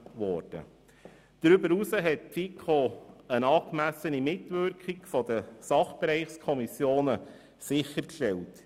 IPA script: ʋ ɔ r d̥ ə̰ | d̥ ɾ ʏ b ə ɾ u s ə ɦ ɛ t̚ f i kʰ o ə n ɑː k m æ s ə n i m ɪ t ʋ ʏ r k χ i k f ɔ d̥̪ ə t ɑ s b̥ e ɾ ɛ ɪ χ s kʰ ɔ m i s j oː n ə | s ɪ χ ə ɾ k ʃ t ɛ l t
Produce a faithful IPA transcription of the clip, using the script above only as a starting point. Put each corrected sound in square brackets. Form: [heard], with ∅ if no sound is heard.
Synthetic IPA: ʋ ɔ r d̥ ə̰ | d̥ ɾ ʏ b ə ɾ u s ə ɦ ɛ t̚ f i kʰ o ə n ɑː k m æ s ə n i m ɪ t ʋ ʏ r k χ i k f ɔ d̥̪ ə [s] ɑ [χ] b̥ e ɾ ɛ ɪ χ s kʰ ɔ m i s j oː n ə | s ɪ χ ə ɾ k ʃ t ɛ l t